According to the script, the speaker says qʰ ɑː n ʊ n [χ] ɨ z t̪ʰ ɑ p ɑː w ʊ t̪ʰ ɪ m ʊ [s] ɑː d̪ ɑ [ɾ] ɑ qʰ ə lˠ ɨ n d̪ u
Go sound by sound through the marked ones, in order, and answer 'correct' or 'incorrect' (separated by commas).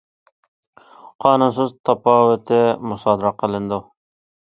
incorrect, correct, correct